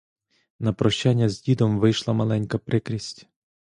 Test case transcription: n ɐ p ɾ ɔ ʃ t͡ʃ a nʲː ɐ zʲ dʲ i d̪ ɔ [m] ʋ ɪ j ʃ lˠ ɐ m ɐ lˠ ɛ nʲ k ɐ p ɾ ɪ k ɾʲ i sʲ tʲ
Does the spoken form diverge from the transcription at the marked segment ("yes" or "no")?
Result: no